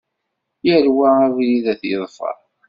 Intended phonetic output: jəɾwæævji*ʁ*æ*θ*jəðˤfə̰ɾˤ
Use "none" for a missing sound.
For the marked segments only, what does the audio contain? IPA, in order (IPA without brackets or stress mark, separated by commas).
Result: ð, θ